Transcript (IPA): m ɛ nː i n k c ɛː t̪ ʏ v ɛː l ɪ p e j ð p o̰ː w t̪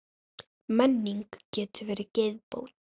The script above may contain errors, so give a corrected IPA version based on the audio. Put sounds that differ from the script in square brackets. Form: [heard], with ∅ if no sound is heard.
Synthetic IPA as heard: m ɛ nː i [ŋ] k c ɛː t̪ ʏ v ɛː [ɾ] ɪ [c] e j ð p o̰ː w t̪